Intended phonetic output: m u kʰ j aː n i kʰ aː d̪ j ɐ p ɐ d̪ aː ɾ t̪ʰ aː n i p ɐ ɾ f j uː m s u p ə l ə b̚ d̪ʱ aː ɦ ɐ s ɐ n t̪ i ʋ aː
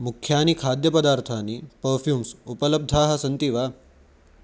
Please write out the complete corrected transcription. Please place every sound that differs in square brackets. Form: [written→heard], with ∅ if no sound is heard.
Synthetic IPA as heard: m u kʰ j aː n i kʰ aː d̪ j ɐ p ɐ d̪ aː ɾ t̪ʰ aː n i p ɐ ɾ f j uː m s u p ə l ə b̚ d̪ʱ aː ɦ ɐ s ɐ n t̪ i ʋ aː